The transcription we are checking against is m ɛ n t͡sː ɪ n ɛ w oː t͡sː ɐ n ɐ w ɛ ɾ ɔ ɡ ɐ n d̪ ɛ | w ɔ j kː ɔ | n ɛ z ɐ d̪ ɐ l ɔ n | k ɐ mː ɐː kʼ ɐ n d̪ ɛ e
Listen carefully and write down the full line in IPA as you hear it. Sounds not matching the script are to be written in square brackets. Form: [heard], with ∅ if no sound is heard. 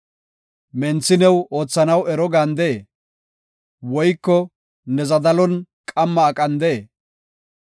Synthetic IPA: m ɛ n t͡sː ɪ n ɛ w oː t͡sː ɐ n ɐ w ɛ ɾ ɔ ɡ ɐ n d̪ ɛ | w ɔ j kː ɔ | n ɛ z ɐ d̪ ɐ l ɔ n | [kʼ] ɐ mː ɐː kʼ ɐ n d̪ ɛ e